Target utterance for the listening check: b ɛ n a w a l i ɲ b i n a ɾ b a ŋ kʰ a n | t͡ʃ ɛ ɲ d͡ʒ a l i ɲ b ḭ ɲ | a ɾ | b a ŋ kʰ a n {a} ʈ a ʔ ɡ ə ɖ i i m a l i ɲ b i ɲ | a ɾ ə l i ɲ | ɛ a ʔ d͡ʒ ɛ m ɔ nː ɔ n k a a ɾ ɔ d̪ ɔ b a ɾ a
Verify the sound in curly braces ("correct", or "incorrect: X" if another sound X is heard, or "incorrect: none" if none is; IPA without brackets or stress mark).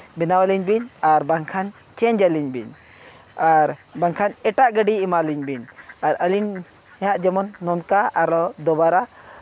incorrect: ɛ